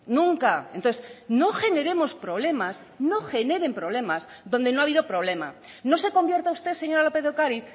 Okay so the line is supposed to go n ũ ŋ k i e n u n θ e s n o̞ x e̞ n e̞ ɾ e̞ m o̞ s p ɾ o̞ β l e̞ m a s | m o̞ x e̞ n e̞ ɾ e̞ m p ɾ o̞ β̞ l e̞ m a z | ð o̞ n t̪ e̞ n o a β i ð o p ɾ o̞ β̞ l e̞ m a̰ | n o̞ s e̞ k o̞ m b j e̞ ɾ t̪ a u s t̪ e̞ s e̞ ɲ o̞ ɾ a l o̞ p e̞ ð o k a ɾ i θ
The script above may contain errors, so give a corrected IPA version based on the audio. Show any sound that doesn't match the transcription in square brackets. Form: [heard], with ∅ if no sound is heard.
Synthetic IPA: n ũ ŋ k [a] e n [o] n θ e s n o̞ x e̞ n e̞ ɾ e̞ m o̞ s p ɾ o̞ β l e̞ m a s | [n] o̞ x e̞ n e̞ ɾ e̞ m p ɾ o̞ β̞ l e̞ m a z | ð o̞ n [d̪] e̞ n o a β i ð o p ɾ o̞ β̞ l e̞ m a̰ | n o̞ s e̞ k o̞ m b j e̞ ɾ t̪ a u s t̪ e̞ s e̞ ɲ o̞ ɾ a l o̞ p e̞ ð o k a ɾ i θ